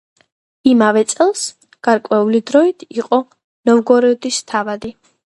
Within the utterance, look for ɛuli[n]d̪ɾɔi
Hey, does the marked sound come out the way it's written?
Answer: no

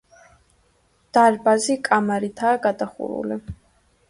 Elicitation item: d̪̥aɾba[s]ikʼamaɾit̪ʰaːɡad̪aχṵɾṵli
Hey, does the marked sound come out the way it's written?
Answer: no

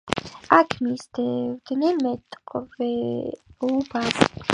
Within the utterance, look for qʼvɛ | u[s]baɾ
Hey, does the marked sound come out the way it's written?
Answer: no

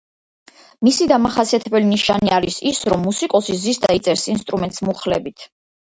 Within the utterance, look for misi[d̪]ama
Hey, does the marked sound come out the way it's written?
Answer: yes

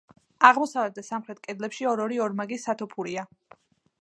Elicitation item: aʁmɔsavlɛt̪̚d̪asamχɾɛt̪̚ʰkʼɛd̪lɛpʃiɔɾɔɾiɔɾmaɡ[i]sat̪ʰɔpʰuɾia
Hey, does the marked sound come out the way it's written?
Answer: yes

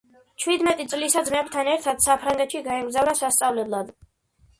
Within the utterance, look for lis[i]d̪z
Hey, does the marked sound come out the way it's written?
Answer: no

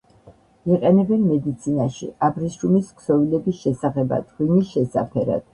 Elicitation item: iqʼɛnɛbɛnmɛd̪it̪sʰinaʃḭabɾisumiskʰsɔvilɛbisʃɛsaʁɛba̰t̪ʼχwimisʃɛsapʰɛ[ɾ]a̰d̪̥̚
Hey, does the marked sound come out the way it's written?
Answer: yes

